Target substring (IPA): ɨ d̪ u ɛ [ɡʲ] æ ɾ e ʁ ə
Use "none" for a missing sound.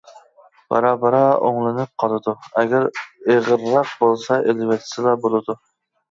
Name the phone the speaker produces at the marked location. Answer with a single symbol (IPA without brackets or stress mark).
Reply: ɡʲ